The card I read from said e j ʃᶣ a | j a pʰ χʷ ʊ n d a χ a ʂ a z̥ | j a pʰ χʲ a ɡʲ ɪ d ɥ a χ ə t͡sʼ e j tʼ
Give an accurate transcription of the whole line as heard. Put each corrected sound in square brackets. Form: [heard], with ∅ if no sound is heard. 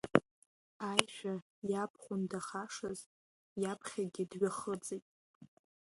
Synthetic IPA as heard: [a] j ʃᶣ a | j a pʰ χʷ ʊ n d a χ a ʂ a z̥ | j a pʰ χʲ a ɡʲ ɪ d ɥ a χ ə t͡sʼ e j tʼ